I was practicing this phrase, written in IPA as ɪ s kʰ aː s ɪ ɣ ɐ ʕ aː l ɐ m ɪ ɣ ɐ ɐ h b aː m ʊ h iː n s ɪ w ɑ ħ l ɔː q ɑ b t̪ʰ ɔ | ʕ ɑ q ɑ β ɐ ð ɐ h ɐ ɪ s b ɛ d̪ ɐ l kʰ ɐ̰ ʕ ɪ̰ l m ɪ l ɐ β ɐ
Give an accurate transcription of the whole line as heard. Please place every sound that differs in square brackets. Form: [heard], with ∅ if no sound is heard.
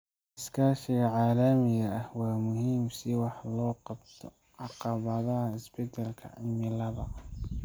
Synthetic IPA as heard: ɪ s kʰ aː [ʃ] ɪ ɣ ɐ ʕ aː l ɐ m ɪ ɣ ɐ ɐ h [w] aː m ʊ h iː [m] s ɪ w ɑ ħ l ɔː q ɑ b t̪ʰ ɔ | ʕ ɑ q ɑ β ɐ ð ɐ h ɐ ɪ s b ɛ d̪ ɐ l kʰ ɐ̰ ʕ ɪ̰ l m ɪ l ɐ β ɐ